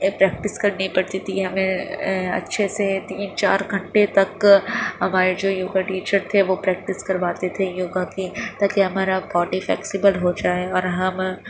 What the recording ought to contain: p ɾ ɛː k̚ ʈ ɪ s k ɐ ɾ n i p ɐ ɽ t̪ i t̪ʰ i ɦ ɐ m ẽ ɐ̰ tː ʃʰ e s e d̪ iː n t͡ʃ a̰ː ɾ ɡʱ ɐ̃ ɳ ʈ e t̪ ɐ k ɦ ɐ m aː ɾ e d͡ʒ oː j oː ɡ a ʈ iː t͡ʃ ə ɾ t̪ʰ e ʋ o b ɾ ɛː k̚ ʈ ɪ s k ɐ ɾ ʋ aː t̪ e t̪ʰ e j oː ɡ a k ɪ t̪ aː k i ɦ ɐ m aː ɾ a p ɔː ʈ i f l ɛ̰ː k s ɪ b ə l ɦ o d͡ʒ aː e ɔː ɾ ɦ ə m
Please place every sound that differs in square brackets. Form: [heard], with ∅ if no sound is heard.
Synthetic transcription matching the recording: p ɾ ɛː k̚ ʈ ɪ s k ɐ ɾ n i p ɐ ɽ t̪ i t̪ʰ i ɦ ɐ m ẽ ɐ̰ tː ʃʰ e s e [t̪] iː n t͡ʃ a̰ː ɾ ɡʱ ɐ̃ ɳ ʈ e t̪ ɐ k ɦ ɐ m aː ɾ e d͡ʒ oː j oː ɡ a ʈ iː t͡ʃ ə ɾ t̪ʰ e ʋ o [p] ɾ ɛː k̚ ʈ ɪ s k ɐ ɾ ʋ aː t̪ e t̪ʰ e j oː ɡ a k [i] t̪ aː k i ɦ ɐ m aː ɾ a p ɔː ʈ i f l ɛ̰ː k s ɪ b ə l ɦ o d͡ʒ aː e ɔː ɾ ɦ [ɐ] m